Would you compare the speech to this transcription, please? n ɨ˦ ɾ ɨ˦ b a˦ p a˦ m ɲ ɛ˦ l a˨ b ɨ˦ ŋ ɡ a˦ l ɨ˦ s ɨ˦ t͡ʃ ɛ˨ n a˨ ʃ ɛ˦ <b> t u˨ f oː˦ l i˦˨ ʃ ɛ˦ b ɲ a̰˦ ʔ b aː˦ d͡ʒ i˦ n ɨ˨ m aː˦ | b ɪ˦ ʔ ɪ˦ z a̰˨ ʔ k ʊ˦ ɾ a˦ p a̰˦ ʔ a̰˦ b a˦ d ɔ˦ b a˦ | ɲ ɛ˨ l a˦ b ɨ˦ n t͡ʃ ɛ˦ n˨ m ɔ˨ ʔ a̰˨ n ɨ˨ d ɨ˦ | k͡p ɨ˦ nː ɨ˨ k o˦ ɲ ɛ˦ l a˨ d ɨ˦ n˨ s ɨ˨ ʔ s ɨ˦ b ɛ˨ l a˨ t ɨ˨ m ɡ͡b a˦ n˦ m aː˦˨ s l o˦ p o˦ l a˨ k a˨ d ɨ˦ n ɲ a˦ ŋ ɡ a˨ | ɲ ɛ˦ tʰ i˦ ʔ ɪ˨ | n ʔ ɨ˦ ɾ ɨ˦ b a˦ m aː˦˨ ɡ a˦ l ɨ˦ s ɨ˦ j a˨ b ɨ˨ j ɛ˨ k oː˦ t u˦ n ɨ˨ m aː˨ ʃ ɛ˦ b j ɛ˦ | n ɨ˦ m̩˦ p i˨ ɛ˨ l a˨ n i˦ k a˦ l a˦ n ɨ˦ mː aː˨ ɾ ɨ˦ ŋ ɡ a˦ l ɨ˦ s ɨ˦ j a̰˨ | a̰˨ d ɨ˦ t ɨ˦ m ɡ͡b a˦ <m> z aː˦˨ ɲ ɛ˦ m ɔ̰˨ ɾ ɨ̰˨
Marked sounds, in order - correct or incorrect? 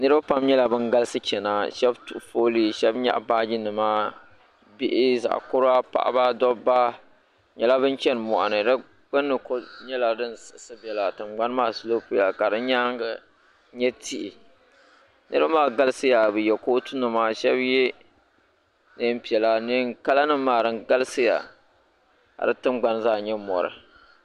correct, incorrect: n

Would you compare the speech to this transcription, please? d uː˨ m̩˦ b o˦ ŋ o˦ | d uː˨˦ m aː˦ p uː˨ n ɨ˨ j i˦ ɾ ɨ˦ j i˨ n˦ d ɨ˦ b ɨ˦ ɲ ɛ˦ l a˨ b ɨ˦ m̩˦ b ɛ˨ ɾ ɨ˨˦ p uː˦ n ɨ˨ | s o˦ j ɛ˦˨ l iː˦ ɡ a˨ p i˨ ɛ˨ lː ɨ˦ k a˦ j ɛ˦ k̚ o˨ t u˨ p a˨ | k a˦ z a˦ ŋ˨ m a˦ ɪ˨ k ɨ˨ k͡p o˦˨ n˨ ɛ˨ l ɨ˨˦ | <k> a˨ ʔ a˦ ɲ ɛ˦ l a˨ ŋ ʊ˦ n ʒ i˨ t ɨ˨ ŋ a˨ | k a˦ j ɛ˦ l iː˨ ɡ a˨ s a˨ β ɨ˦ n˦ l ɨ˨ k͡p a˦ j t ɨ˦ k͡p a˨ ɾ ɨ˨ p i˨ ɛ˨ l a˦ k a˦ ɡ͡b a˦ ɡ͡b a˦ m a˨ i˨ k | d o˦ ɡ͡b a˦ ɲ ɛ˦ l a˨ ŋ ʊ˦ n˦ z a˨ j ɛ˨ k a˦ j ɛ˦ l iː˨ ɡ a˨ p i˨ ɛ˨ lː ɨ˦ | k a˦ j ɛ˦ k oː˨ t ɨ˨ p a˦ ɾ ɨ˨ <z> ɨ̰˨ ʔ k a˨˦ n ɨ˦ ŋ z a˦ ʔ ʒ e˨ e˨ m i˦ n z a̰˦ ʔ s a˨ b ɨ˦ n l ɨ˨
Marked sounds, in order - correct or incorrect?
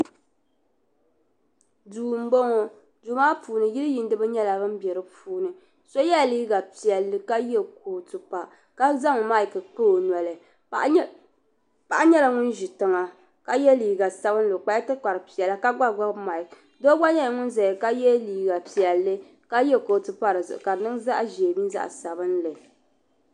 incorrect: p, correct

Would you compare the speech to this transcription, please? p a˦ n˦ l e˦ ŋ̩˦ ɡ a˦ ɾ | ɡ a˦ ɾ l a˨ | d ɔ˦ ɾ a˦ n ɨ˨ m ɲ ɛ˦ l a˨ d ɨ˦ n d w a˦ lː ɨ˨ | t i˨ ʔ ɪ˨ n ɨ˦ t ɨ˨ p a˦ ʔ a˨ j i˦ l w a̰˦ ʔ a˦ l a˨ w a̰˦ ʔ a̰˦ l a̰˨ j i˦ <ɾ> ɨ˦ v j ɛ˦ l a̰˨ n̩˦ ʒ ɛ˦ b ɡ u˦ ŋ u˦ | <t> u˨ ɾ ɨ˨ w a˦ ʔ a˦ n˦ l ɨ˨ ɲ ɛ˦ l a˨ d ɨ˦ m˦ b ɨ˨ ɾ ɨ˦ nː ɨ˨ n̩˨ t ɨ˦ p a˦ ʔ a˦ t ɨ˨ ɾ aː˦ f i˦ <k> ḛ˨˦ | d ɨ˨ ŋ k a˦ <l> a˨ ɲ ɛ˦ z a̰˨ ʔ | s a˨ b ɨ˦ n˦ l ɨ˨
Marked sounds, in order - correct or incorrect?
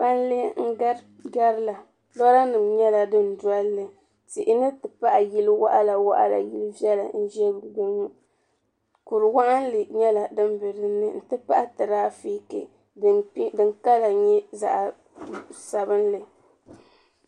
incorrect: l, incorrect: k, correct, correct

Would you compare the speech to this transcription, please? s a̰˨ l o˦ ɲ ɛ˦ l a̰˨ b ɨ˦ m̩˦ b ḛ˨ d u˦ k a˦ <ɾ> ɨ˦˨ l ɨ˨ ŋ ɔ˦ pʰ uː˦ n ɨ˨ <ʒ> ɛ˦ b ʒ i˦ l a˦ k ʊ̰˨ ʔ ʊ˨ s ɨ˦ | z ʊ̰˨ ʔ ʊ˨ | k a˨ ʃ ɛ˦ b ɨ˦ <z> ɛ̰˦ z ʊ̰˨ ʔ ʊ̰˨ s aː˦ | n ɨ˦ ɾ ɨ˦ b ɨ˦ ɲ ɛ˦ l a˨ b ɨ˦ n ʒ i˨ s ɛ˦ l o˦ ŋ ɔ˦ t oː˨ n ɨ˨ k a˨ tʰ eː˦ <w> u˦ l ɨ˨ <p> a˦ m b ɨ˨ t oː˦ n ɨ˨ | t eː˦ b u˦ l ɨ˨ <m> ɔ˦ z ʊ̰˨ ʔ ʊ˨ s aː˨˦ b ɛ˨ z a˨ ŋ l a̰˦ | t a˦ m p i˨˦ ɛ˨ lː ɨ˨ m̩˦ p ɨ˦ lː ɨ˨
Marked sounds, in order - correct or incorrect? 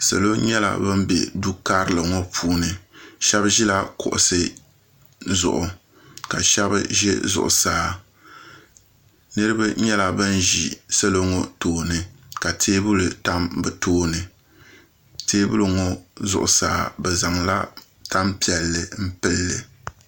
correct, incorrect: ʃ, incorrect: ʒ, incorrect: b, incorrect: t, incorrect: ŋ

